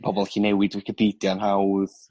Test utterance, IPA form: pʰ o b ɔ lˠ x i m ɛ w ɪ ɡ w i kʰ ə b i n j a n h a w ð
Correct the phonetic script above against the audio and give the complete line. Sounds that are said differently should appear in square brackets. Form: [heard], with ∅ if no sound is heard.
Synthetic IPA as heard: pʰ [ɔ] b ɔ lˠ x i [n] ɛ w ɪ [d] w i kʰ ə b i [d] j a n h a w ð

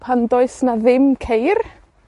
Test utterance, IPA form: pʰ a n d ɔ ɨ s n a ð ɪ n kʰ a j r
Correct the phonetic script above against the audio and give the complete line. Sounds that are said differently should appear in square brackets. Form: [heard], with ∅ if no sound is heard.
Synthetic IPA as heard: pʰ a n d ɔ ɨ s n a ð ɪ [m] kʰ [e] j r

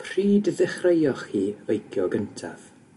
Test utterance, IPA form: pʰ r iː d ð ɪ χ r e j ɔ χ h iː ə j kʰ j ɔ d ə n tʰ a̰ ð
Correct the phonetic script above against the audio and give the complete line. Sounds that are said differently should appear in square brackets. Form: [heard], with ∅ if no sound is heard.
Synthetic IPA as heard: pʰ r iː d ð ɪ χ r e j ɔ χ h iː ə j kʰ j ɔ [ɡ] ə n tʰ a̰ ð

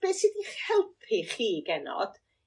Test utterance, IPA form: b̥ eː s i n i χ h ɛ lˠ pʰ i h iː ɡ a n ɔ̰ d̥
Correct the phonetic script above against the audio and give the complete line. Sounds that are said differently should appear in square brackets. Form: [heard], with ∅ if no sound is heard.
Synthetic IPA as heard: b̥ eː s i [d] i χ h ɛ lˠ pʰ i [χ] iː ɡ [ɛ] n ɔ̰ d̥

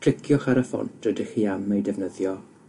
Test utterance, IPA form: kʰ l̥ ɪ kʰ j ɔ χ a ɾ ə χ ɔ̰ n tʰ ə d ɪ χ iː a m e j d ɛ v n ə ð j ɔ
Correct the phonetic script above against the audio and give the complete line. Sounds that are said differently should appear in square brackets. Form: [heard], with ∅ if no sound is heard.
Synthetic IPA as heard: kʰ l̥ ɪ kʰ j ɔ χ a ɾ ə [f] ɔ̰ n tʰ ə d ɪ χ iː a m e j d ɛ v n ə ð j ɔ

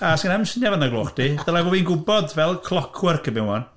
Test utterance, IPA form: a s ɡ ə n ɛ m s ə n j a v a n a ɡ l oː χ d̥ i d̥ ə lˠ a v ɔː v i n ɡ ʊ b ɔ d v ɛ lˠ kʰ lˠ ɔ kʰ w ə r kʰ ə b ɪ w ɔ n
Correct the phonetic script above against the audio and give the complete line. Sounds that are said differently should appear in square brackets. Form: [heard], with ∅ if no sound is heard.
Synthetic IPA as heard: a s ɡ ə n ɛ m s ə n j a v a n a ɡ l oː χ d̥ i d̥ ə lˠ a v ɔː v i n ɡ ʊ b ɔ d v ɛ lˠ kʰ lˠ ɔ kʰ w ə r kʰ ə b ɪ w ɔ n

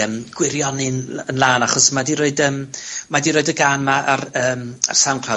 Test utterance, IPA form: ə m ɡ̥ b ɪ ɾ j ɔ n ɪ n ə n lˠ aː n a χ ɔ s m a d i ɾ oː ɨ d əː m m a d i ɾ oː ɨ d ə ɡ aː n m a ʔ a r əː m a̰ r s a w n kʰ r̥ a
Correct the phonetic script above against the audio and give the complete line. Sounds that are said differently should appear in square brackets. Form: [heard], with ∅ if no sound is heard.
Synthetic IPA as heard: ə m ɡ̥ [w] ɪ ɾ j ɔ n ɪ n ə n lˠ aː n a χ ɔ s m a d i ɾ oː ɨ d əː m m a d i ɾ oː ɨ d ə ɡ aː n m a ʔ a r əː m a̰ r s a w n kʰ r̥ a

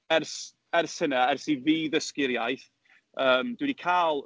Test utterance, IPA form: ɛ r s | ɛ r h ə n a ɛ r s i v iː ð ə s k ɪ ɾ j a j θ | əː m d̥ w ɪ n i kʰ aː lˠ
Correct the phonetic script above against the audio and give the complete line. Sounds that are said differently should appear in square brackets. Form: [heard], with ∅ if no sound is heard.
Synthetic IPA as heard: ɛ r s | ɛ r [s] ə n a ɛ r s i v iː ð ə s k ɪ ɾ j a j θ | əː m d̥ w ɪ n i kʰ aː lˠ

